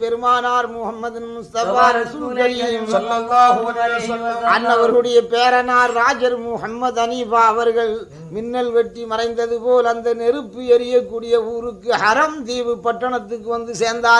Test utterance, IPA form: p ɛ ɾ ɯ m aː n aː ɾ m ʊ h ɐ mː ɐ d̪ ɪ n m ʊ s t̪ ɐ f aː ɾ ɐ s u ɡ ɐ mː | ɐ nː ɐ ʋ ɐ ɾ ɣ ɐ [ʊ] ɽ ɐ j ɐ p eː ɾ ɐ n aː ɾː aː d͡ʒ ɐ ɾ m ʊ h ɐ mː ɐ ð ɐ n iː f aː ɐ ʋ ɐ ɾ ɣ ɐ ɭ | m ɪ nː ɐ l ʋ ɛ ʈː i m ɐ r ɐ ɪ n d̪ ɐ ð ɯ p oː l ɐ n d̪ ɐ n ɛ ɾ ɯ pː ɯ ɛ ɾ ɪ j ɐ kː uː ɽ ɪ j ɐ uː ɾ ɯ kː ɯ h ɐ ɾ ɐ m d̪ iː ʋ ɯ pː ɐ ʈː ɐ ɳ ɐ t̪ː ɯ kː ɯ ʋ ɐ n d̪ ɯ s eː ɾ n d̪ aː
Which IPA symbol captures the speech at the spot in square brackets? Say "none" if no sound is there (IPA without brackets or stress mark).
ɯ